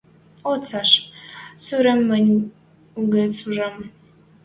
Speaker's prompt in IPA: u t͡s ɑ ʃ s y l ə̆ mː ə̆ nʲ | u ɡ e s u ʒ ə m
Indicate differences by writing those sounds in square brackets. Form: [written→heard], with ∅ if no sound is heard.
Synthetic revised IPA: [u→o] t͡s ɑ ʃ s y [l→ɾ] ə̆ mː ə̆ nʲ | u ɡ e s u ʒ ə m